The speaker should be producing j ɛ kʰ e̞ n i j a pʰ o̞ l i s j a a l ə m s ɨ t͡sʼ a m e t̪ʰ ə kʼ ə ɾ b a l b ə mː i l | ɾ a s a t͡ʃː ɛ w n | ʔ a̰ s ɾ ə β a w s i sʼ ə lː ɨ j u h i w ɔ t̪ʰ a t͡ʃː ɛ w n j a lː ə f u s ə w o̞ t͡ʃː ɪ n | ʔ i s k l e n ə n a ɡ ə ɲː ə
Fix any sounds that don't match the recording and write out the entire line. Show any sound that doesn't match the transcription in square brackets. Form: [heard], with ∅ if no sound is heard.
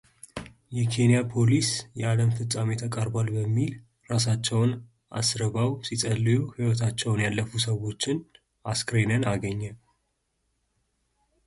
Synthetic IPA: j ɛ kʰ e̞ n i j a pʰ o̞ l i s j [ɛ] a l ə m [f] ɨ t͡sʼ a m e t̪ʰ ə kʼ ə ɾ b a l b ə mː i l | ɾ a s a t͡ʃː ɛ w n | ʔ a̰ s ɾ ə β a w s i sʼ ə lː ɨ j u h i w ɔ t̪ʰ a t͡ʃː ɛ w n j a lː ə f u s ə w o̞ t͡ʃː ɪ n | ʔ [a] s k [ɾ] e n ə n a ɡ ə ɲː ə

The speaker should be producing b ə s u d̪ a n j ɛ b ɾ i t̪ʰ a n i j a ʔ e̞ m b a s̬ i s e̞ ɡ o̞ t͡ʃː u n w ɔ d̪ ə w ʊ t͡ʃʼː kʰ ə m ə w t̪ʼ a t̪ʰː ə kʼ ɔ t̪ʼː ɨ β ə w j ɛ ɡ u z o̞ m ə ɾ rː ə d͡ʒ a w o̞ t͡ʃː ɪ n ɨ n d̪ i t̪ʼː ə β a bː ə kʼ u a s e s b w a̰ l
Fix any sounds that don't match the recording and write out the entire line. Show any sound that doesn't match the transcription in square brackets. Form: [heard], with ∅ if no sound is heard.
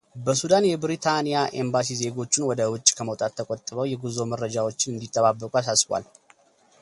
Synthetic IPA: b ə s u d̪ a n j ɛ b ɾ i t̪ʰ a n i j a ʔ e̞ m b a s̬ i [z] e̞ ɡ o̞ t͡ʃː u n w ɔ d̪ ə w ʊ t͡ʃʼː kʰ ə m ə w t̪ʼ a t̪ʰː ə kʼ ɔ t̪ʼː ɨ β ə w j ɛ ɡ u z o̞ m ə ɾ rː ə d͡ʒ a w o̞ t͡ʃː ɪ n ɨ n d̪ i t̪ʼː ə β a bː ə kʼ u a s [a] s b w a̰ l

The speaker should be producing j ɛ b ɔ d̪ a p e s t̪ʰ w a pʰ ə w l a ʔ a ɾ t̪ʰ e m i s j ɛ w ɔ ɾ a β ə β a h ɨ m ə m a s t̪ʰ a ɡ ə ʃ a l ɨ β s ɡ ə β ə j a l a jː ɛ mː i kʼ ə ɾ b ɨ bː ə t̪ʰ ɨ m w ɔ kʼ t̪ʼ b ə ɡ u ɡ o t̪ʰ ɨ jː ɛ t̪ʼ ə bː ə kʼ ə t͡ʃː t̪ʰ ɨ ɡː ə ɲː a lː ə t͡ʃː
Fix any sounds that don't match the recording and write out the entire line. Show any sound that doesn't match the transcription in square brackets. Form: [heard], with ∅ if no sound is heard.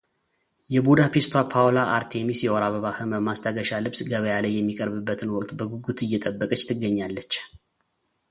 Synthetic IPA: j ɛ b [u] d̪ a p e s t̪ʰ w a pʰ [a] w l a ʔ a ɾ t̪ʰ e m i s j ɛ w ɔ ɾ a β ə β a h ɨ m ə m a s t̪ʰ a ɡ ə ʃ a l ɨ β s ɡ ə β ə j a l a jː ɛ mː i kʼ ə ɾ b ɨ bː ə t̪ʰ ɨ [n] w ɔ kʼ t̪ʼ b ə ɡ u ɡ [u] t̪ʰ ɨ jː ɛ t̪ʼ ə bː ə kʼ ə t͡ʃː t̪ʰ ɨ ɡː ə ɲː a lː ə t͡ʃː

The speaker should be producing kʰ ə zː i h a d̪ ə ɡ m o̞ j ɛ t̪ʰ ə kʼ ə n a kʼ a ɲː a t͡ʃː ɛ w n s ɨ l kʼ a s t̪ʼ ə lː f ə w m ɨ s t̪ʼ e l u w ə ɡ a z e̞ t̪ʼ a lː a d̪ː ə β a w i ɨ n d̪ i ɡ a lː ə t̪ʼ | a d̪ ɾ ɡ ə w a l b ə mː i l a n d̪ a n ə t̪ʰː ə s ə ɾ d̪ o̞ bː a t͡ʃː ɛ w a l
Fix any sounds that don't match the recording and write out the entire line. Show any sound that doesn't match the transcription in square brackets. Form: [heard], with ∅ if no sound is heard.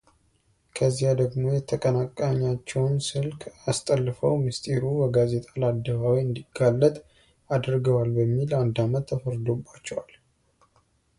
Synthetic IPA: kʰ ə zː i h a d̪ ə ɡ m o̞ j ɛ t̪ʰ ə kʼ ə n a kʼ a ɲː a t͡ʃː ɛ w n s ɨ l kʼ a s t̪ʼ ə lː f ə w m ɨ s t̪ʼ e [ɾ] u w ə ɡ a z e̞ t̪ʼ a [l] a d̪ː ə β a w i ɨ n d̪ i ɡ a lː ə t̪ʼ | a d̪ ɾ ɡ ə w a l b ə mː i l a n d̪ a [m] ə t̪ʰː ə [f] ə ɾ d̪ o̞ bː a t͡ʃː ɛ w a l

